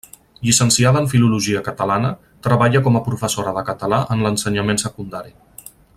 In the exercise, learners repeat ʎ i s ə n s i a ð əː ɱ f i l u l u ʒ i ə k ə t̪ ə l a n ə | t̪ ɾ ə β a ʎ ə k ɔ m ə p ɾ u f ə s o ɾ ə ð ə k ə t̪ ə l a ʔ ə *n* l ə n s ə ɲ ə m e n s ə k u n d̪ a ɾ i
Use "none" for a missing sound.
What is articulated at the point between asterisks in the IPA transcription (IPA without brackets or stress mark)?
n